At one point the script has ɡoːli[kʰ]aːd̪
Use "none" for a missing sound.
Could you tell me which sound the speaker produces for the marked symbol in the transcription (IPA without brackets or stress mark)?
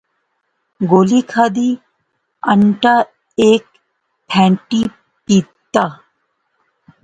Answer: kʰ